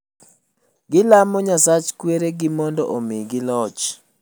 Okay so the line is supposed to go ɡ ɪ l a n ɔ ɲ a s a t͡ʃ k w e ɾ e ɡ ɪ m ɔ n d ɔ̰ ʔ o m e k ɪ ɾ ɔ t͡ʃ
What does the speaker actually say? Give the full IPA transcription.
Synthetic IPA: ɡ ɪ l a m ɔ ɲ a s a t͡ʃ k w e ɾ e ɡ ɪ m ɔ n d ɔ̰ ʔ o m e ɡ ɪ l ɔ t͡ʃ